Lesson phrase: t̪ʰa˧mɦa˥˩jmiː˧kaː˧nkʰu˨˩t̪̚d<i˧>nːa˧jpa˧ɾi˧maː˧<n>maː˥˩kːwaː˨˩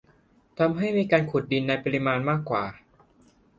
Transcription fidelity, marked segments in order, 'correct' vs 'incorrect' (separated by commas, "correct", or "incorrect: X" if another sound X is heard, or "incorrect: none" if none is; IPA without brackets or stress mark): correct, correct